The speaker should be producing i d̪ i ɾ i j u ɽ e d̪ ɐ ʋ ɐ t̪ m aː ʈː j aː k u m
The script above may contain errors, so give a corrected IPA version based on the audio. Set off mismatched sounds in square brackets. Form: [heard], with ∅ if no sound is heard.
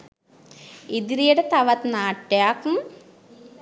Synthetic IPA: i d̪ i ɾ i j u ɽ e [t̪] ɐ ʋ ɐ t̪ [n] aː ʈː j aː k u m